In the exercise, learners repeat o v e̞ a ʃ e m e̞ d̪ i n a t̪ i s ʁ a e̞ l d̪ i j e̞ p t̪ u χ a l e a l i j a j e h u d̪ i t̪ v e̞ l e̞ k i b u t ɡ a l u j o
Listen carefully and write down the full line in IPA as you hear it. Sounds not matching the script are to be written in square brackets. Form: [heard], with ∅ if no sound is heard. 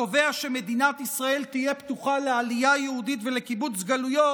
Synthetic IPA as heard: o v e̞ a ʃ e m e̞ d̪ i n a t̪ i s ʁ a e̞ l [t̪] i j e̞ p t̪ u χ a l e a l i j a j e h u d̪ i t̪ v e̞ l e̞ k i b u [t͡s] ɡ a l u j o